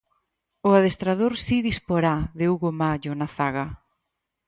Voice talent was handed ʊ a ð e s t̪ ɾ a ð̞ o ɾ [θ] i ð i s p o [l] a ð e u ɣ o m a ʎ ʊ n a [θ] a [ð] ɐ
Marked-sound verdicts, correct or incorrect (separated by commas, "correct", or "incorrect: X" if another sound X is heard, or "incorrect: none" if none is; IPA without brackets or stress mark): incorrect: s, incorrect: ɾ, correct, incorrect: ɣ